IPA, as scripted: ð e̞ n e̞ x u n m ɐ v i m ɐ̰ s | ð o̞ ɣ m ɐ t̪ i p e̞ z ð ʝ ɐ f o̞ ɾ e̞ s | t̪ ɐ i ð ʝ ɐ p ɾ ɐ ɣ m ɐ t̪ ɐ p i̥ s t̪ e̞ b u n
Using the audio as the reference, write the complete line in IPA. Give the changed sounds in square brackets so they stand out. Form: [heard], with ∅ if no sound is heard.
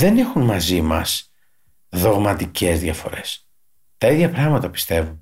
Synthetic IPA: ð e̞ n e̞ x u n m ɐ [z] i m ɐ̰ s | ð o̞ ɣ m ɐ t̪ i [c] e̞ z ð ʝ ɐ f o̞ ɾ e̞ s | t̪ ɐ i ð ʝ ɐ p ɾ ɐ ɣ m ɐ t̪ ɐ p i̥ s t̪ e̞ [v] u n